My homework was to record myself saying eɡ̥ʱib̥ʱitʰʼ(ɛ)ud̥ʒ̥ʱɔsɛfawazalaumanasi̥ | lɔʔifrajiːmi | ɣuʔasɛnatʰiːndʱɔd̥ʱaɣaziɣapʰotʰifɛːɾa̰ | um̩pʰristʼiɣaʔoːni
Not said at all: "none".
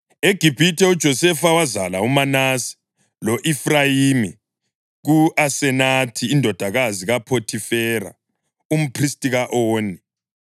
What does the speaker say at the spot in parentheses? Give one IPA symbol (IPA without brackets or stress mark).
ɛ